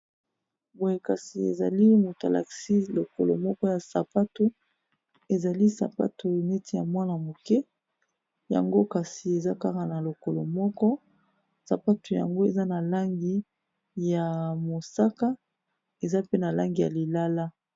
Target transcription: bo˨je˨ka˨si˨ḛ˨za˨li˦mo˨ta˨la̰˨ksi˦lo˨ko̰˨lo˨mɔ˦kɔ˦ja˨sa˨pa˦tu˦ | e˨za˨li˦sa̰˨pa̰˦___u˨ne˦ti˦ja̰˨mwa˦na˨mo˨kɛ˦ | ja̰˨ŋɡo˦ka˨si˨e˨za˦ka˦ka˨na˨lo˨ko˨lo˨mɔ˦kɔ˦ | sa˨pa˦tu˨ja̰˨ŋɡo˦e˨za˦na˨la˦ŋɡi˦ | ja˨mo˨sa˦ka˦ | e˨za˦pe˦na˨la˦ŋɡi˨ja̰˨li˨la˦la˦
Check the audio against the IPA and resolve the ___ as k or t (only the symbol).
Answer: t